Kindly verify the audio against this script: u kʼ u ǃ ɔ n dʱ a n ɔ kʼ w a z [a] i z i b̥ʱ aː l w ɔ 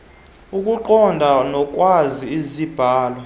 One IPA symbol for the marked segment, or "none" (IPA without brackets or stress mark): i